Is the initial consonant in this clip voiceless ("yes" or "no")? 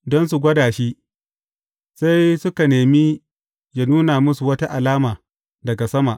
no